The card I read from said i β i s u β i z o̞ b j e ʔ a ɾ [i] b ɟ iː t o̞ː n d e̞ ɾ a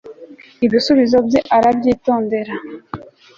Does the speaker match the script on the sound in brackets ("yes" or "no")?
no